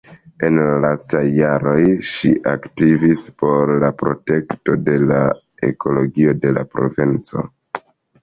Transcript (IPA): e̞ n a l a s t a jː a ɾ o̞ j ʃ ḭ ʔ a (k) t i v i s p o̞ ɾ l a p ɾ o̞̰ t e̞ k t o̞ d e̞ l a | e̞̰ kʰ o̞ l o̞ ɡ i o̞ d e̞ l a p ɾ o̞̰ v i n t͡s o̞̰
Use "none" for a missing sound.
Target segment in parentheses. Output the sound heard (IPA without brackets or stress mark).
k